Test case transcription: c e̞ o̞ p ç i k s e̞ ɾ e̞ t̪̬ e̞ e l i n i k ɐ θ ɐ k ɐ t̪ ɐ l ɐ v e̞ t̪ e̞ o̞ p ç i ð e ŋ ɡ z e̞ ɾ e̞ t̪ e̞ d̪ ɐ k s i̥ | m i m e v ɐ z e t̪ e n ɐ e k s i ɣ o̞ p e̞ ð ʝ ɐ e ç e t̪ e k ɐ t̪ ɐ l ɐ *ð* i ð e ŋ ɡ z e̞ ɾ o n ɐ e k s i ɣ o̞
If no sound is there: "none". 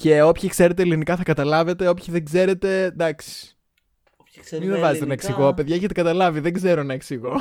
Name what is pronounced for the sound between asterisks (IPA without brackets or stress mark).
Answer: v